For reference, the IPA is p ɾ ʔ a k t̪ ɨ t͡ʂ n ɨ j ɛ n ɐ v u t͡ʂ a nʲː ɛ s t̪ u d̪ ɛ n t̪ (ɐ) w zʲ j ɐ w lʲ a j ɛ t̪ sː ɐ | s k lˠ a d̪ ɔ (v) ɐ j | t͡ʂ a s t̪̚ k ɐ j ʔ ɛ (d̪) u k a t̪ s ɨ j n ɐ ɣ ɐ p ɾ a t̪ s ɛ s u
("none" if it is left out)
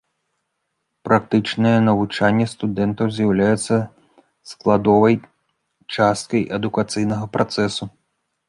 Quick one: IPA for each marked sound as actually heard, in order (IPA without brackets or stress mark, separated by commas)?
ɐ, v, d̪